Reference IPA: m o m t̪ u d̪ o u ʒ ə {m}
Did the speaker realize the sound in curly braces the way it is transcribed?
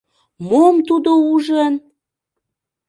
no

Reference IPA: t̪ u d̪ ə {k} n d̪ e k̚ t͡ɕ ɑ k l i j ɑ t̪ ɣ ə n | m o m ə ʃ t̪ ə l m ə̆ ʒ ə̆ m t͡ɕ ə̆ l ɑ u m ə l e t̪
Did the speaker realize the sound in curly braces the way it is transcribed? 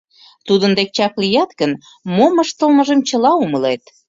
no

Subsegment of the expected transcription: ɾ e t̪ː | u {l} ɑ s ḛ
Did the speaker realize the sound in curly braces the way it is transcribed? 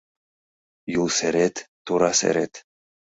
no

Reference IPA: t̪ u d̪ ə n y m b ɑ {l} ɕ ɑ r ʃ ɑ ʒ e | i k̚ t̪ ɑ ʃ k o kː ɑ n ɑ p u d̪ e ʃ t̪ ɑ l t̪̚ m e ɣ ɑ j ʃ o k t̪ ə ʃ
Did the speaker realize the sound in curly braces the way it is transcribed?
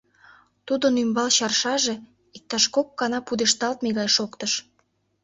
yes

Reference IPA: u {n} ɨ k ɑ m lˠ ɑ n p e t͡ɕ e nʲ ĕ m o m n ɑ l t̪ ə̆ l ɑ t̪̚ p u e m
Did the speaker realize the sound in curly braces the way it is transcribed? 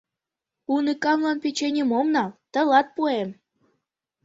yes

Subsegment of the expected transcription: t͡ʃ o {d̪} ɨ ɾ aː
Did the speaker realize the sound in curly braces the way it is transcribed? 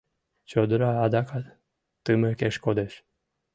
yes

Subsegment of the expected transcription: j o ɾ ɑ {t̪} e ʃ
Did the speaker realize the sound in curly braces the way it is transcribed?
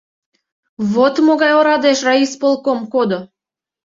no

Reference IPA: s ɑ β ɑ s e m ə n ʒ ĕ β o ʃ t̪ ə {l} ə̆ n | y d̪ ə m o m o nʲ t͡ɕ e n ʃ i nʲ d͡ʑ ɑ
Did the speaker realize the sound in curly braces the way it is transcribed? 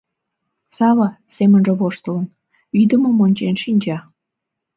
yes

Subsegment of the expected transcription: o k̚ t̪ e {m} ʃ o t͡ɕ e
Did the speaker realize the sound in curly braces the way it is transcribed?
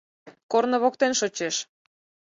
no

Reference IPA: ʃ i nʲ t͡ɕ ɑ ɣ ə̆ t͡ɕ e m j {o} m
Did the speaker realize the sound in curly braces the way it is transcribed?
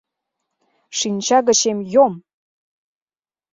yes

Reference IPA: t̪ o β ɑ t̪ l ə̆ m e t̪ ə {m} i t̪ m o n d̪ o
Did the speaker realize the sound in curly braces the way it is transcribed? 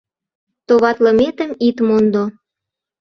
yes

